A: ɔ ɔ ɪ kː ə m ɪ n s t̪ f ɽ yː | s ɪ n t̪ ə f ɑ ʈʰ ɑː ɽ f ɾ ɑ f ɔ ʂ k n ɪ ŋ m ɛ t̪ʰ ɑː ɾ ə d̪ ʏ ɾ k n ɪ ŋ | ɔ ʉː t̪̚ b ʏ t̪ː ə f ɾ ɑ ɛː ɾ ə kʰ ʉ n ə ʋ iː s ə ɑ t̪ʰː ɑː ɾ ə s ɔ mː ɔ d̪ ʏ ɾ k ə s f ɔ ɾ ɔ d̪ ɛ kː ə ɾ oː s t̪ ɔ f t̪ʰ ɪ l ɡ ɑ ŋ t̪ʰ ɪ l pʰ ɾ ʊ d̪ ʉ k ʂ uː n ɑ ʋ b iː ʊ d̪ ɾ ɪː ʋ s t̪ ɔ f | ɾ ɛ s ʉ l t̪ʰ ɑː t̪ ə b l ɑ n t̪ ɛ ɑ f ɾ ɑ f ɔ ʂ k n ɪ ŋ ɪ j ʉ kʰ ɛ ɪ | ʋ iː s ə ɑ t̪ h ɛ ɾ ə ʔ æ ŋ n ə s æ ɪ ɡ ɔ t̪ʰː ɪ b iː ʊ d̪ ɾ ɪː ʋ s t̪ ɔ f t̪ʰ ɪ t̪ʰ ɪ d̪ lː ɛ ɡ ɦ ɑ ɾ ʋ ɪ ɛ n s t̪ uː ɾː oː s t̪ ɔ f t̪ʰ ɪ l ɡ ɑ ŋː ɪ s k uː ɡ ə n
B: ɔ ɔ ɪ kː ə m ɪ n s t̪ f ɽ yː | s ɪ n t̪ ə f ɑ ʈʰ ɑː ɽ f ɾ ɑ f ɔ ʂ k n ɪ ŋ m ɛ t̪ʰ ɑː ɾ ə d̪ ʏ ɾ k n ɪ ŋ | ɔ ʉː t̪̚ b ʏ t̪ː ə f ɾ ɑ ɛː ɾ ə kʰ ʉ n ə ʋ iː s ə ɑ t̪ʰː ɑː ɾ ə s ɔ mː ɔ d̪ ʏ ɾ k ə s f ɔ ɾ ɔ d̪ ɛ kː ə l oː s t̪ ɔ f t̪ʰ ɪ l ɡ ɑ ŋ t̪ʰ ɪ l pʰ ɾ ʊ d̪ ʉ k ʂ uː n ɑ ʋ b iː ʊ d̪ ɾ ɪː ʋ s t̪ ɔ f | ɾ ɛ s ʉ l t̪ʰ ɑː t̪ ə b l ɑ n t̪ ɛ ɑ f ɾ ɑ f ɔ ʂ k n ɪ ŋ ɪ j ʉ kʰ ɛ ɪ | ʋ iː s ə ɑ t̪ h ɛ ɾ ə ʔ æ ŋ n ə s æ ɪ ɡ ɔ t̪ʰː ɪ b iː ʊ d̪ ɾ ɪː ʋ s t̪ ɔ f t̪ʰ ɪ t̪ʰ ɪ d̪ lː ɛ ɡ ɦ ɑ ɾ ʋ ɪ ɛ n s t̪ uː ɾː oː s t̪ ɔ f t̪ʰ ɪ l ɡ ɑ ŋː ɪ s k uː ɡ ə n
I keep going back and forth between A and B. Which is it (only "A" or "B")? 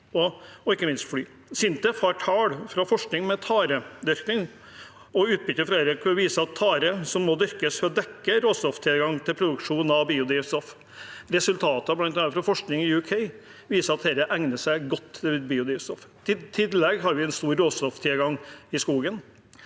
A